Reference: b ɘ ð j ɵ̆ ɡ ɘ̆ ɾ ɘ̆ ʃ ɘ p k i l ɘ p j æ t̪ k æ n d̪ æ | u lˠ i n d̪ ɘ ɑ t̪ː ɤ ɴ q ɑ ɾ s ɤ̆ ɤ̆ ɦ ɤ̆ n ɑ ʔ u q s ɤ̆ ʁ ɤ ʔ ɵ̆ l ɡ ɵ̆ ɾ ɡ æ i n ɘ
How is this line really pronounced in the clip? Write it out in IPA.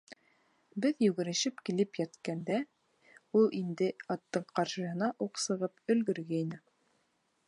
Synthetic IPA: b ɘ ð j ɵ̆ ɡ ɘ̆ ɾ ɘ̆ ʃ ɘ p k i l ɘ p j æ t̪ k æ n d̪ æ | u lˠ i n d̪ ɘ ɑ t̪ː ɤ ɴ q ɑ ɾ ʃ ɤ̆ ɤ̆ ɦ ɤ̆ n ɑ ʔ u q s ɤ̆ ʁ ɤ p ɵ̆ l ɡ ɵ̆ ɾ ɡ æ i n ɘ